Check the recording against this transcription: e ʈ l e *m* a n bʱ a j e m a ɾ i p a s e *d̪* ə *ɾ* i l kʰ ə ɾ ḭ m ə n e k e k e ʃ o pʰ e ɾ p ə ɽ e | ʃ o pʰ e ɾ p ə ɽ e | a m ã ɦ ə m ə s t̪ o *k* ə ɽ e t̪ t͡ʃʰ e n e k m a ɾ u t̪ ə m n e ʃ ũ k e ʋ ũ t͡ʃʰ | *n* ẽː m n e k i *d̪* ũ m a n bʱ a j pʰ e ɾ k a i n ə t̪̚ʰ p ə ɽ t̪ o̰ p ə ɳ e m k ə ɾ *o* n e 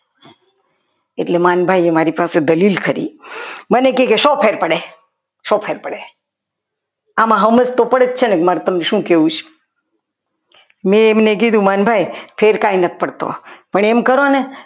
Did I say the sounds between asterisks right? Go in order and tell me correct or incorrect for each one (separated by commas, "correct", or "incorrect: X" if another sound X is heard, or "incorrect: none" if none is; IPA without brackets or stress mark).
correct, correct, incorrect: l, incorrect: p, incorrect: m, correct, correct